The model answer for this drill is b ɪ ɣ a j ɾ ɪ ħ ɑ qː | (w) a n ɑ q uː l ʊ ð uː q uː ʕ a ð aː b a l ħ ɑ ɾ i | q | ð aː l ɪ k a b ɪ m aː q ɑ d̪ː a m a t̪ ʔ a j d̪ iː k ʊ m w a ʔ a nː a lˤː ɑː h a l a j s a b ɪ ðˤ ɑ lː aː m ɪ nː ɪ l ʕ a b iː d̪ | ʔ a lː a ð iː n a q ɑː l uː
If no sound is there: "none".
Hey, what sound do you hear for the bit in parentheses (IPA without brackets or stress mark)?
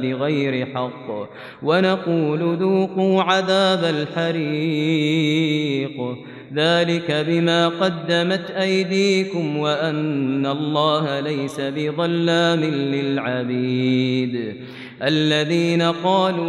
w